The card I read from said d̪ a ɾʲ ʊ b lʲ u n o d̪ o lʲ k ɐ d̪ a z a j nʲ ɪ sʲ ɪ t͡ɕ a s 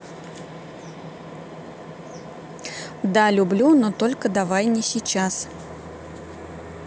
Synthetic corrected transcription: d̪ a lʲ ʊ b lʲ u n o t̪ o lʲ k ə d̪ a v a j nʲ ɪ sʲ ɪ t͡ɕ a s